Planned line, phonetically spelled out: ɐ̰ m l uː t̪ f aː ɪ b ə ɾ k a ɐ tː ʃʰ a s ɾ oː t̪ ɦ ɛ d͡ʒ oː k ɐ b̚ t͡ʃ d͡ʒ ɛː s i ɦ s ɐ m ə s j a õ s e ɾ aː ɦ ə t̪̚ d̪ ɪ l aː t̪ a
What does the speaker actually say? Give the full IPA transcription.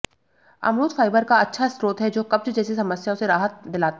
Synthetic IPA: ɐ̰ m ɾ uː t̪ f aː ɪ b ə ɾ k a ɐ tː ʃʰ a s ɾ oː t̪ ɦ ɛ d͡ʒ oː k ɐ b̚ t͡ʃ d͡ʒ ɛː s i s ɐ m ə s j a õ s e ɾ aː ɦ ə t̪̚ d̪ ɪ l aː t̪ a